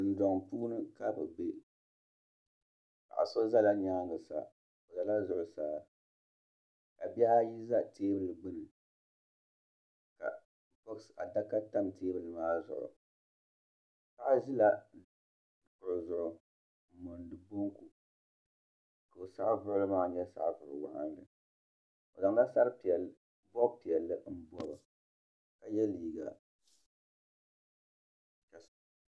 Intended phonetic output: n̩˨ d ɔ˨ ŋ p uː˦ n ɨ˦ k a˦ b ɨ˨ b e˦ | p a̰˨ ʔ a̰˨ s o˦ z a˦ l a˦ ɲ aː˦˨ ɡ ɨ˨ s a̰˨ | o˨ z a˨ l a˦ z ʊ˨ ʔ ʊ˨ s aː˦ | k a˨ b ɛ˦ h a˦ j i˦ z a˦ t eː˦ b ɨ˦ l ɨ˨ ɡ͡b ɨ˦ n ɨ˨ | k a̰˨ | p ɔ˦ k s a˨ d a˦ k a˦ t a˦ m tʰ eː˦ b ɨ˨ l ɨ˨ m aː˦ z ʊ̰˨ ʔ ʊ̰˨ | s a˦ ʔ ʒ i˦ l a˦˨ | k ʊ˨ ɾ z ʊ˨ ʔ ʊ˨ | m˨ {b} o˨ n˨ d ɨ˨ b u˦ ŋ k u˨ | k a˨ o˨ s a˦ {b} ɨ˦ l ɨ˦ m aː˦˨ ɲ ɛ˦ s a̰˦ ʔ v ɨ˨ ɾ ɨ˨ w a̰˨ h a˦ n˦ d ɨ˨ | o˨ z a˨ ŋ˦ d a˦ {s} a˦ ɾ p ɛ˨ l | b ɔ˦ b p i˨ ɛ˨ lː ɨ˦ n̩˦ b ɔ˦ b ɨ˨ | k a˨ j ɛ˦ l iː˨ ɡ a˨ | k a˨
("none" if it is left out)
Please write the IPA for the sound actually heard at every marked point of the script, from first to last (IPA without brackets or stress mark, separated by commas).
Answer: m, v, s